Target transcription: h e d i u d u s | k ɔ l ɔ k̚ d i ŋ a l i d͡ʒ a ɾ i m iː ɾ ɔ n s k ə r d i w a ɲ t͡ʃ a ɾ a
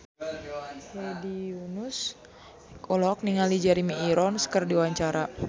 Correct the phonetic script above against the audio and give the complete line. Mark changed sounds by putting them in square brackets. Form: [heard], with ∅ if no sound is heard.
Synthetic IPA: h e d i u [n] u s | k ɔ l ɔ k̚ [n] i ŋ a l i d͡ʒ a ɾ i m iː ɾ ɔ n s k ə r d i w a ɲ t͡ʃ a ɾ a